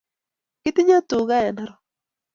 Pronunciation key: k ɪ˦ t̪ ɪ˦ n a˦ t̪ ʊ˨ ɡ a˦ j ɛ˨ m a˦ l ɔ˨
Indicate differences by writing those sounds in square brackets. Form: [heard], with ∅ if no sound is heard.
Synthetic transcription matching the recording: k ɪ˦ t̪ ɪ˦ [ɲ] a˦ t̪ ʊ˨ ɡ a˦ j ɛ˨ [n] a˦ [ɾ] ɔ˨

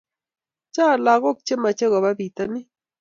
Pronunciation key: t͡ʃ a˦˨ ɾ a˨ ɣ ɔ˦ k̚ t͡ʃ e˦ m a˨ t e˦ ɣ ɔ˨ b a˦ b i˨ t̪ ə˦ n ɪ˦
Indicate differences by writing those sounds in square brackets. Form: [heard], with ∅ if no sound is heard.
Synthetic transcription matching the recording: t͡ʃ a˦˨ [l] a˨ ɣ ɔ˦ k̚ t͡ʃ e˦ m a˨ [t͡ʃ] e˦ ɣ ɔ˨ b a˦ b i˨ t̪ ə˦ n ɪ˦

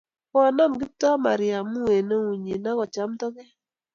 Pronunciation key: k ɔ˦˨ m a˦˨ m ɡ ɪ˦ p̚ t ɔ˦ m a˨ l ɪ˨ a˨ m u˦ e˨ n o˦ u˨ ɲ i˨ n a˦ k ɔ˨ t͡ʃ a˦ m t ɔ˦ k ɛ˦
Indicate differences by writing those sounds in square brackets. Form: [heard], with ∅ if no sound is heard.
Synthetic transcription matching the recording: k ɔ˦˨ [n] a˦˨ m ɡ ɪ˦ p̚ t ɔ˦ m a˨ [ɾ] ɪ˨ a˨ m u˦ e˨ n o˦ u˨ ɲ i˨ n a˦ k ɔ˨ t͡ʃ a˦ m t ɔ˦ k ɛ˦

